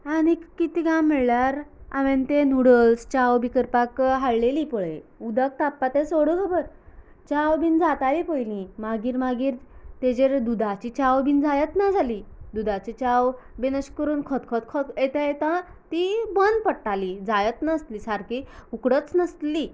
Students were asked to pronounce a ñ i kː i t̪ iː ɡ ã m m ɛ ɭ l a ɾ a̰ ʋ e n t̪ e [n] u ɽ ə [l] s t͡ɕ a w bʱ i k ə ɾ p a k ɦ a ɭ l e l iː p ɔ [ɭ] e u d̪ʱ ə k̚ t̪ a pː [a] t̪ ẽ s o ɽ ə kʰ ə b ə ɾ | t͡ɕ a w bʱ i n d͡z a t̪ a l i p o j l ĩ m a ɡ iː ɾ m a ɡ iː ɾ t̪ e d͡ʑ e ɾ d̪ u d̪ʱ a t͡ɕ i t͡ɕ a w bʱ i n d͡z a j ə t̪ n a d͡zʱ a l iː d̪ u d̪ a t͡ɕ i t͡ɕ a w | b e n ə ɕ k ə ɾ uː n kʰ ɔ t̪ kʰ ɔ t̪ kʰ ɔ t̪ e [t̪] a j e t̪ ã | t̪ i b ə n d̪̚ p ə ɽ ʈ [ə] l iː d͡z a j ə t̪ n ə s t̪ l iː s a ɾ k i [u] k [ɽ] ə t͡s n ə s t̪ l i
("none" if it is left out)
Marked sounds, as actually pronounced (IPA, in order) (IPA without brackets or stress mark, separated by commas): n, l, ɭ, a, t̪, a, u, ɽ